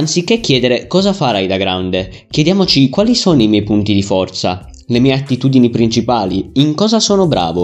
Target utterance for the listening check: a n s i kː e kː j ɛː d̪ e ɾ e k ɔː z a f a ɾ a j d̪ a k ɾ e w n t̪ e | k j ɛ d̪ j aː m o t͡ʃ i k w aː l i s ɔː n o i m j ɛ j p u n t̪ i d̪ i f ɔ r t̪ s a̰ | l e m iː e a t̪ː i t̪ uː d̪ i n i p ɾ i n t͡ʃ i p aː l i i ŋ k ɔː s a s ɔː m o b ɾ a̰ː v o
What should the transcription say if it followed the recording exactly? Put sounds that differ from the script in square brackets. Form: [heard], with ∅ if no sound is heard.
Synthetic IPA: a n s i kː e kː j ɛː d̪ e ɾ e k ɔː z a f a ɾ a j d̪ a [ɡ] ɾ [a] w n [d̪] e | k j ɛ d̪ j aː m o t͡ʃ i k w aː l i s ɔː n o i m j ɛ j p u n t̪ i d̪ i f ɔ r t̪ s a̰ | l e m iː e a t̪ː i t̪ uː d̪ i n i p ɾ i n t͡ʃ i p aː l i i ŋ k ɔː [z] a s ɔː [n] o b ɾ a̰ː v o